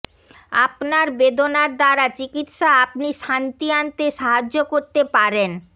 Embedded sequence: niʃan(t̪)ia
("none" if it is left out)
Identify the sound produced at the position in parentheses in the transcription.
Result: t̪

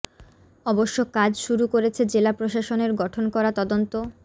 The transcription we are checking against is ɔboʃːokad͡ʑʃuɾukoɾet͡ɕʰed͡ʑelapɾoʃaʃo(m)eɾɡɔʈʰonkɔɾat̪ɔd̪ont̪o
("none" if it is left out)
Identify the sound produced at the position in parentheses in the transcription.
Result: n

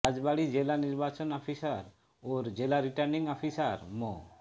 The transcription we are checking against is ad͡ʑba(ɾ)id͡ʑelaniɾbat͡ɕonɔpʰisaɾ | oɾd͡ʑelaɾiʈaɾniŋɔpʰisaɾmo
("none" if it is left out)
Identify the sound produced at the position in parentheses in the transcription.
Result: ɽ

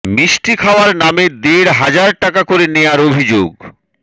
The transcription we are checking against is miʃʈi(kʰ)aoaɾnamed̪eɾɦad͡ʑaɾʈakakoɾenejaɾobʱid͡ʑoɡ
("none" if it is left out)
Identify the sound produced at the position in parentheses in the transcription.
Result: kʰ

